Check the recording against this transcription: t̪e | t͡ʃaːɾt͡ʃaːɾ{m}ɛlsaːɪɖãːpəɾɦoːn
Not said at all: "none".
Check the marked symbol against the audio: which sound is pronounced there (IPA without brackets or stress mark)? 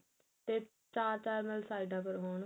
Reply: m